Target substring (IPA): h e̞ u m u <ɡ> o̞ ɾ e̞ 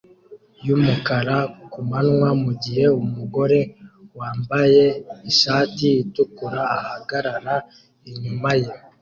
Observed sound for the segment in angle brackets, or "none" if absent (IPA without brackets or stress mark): ɡ